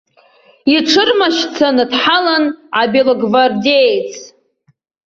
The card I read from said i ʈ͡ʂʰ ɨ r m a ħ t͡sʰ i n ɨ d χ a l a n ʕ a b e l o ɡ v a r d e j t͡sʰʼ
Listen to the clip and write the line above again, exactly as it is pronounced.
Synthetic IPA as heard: i ʈ͡ʂʰ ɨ r m a ʃ t͡sʰ a n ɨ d ħ a l a n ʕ a b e l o ɡ v a r d e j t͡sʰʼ